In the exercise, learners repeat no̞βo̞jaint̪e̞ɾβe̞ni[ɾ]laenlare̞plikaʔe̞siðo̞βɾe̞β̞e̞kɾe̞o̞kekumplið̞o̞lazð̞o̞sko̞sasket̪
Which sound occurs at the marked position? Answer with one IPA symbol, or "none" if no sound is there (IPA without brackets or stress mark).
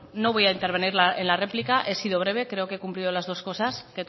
ɾ